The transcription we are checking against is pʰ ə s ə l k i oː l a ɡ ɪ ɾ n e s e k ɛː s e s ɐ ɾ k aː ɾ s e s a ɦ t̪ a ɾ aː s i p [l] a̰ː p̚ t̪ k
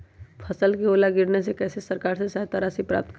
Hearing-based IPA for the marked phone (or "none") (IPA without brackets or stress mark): ɾ